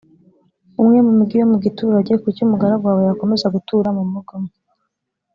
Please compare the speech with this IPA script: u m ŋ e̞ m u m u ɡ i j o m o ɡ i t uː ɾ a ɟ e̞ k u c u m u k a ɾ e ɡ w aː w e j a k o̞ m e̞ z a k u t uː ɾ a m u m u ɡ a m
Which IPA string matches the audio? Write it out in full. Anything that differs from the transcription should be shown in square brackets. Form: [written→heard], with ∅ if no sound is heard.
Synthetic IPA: u m ŋ e̞ m u m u ɡ i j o m [o→u] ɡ i t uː ɾ a ɟ e̞ k u c u m u [k→ɡ] a ɾ [e→a] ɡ w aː w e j a k o̞ m e̞ z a [k→ɡ] u t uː ɾ a m u m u ɡ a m